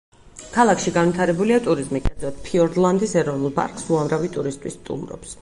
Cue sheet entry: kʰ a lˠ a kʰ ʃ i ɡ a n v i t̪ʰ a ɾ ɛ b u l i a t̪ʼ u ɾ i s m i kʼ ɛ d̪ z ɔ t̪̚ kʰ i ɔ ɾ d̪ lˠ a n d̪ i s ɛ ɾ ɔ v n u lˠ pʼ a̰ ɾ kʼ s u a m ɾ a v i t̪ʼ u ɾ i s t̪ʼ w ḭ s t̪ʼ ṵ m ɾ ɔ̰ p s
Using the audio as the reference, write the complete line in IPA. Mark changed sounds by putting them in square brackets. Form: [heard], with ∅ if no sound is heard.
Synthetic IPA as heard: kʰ a lˠ a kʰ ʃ i ɡ a n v i t̪ʰ a ɾ ɛ b u l i a t̪ʼ u ɾ i [z] m i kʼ ɛ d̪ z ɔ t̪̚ [pʰ] i ɔ ɾ d̪ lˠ a n d̪ i s ɛ ɾ ɔ v n u lˠ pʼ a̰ ɾ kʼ s u a m ɾ a v i t̪ʼ u ɾ i s t̪ʼ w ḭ s t̪ʼ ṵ m ɾ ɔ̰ p s